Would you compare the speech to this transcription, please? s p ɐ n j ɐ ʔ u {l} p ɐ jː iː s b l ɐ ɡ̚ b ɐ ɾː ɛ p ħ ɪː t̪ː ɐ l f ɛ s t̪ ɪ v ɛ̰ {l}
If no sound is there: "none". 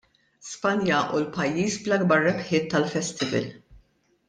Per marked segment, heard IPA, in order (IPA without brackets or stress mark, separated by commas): l, l